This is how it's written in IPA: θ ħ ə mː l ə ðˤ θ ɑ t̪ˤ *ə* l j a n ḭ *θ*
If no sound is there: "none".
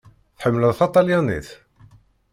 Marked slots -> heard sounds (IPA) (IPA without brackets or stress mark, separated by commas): ɑ, θ